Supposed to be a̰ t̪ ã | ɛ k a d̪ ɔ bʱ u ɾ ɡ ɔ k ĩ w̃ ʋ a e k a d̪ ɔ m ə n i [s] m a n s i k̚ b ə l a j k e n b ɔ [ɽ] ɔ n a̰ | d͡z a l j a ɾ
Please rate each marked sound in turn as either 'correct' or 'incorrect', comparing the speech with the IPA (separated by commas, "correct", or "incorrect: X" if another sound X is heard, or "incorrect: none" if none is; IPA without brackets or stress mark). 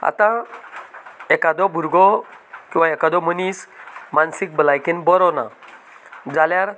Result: correct, incorrect: ɾ